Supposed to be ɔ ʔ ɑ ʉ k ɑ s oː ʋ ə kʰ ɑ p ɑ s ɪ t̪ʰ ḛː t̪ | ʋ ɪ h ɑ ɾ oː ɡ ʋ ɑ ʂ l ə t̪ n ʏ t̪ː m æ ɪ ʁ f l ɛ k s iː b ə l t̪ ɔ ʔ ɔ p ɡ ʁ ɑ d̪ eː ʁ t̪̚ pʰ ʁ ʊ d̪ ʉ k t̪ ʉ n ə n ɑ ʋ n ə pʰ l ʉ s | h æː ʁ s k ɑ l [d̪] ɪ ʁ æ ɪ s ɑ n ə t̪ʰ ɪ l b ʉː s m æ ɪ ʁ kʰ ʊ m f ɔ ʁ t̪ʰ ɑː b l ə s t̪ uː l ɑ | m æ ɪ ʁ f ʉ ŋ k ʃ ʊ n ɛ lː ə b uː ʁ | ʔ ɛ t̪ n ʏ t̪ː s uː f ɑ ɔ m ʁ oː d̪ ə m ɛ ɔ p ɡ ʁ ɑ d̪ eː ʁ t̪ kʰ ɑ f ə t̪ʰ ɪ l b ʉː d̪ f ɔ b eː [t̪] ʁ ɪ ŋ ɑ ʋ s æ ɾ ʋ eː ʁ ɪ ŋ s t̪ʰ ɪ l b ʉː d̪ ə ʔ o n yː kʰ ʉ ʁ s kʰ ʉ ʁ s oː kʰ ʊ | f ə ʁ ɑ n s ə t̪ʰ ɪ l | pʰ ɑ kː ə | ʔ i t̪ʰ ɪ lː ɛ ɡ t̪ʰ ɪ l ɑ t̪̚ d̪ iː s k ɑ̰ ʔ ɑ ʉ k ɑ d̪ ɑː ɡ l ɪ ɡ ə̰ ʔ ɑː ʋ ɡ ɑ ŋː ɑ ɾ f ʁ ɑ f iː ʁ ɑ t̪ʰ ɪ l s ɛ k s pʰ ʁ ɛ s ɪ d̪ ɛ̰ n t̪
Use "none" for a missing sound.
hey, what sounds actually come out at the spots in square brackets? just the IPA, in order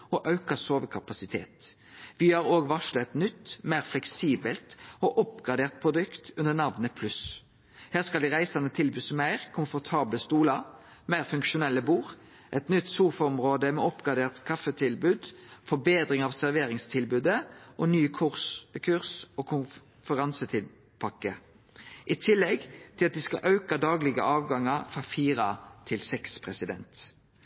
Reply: d̪, d̪

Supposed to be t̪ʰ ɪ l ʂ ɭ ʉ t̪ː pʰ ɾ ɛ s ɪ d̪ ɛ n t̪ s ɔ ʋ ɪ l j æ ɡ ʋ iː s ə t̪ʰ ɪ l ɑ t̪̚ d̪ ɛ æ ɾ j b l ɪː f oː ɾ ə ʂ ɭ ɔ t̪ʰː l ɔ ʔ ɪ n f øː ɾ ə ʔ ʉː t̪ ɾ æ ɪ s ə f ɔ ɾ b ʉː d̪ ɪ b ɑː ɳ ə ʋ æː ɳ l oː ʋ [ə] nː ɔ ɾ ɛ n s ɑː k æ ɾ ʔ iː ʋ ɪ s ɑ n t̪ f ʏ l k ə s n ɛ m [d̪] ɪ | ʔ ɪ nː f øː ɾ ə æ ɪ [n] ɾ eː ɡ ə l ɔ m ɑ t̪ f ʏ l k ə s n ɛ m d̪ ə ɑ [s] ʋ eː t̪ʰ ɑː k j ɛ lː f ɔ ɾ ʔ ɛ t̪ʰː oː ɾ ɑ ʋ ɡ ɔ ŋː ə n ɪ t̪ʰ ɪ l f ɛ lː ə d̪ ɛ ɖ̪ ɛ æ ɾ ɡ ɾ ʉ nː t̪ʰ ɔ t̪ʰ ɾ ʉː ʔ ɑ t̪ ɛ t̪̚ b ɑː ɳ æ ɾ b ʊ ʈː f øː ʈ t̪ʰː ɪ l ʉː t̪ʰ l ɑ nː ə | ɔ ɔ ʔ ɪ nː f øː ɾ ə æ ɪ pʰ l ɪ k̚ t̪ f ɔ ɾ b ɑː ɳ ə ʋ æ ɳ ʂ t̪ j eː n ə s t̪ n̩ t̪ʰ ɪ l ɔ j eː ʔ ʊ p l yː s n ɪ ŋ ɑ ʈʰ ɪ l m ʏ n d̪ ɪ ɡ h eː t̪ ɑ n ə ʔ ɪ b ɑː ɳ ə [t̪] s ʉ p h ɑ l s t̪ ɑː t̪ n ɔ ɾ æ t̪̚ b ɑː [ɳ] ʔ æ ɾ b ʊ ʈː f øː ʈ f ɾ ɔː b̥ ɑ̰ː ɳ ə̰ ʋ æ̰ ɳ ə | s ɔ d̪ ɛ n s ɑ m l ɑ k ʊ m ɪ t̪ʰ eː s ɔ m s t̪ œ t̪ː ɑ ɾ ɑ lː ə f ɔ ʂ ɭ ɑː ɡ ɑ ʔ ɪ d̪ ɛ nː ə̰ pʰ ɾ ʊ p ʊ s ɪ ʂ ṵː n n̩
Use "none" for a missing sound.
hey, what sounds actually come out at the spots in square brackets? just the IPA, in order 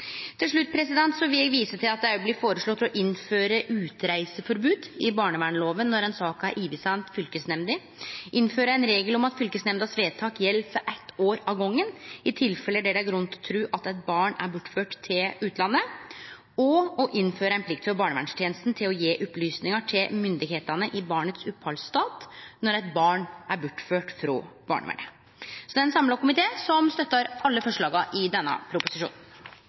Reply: ə, d̪, n, s, t̪, ɳ

